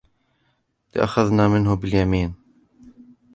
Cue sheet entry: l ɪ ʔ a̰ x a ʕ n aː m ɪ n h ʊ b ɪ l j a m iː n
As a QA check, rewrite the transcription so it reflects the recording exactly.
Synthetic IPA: l ɪ ʔ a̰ x a ð n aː m ɪ n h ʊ b ɪ l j a m iː n